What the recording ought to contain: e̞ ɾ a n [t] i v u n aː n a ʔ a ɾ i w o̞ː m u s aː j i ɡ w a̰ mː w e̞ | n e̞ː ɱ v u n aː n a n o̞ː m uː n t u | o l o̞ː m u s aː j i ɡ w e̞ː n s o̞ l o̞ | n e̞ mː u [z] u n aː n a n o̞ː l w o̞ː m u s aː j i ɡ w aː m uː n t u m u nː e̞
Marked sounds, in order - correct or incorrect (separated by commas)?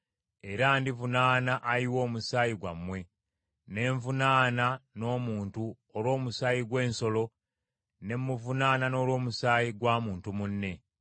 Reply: incorrect, incorrect